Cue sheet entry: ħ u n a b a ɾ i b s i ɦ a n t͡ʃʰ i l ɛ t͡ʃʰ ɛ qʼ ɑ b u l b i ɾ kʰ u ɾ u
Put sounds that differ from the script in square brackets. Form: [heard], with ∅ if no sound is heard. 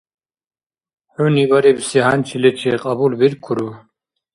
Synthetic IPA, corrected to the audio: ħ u n [i] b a ɾ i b s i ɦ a n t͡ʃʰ i l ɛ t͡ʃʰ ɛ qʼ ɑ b u l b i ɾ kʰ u ɾ u